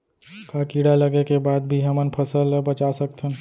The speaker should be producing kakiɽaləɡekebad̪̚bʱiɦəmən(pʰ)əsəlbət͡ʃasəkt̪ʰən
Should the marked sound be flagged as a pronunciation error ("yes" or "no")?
no